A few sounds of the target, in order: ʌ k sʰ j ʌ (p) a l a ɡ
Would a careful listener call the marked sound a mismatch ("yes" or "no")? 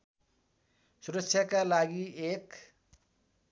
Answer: yes